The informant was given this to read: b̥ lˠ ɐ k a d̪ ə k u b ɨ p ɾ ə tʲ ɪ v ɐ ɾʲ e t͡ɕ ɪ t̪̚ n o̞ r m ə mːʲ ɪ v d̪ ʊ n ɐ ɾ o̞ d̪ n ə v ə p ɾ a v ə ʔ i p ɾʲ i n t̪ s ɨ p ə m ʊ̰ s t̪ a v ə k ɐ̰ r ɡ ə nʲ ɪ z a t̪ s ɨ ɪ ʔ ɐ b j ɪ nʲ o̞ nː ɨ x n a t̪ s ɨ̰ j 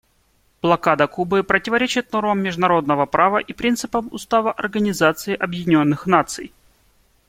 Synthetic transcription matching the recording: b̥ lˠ ɐ k a d̪ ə k u b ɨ p ɾ ə tʲ ɪ v ɐ ɾʲ e t͡ɕ ɪ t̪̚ n o̞ r m ə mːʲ ɪ ʐ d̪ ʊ n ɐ ɾ o̞ d̪ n ə v ə p ɾ a v ə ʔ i p ɾʲ i n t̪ s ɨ p ə m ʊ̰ s t̪ a v ə ʔ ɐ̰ r ɡ ə nʲ ɪ z a t̪ s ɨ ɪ ʔ ɐ b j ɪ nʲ o̞ nː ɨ x n a t̪ s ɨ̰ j